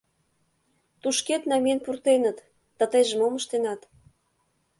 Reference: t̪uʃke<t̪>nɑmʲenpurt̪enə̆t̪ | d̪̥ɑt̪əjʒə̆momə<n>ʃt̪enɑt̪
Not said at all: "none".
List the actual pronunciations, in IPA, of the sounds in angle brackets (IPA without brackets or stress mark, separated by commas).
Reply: t̪, none